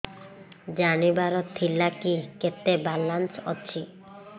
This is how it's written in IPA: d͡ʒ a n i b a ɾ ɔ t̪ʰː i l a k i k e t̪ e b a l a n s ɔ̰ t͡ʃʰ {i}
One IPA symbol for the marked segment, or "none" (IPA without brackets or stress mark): i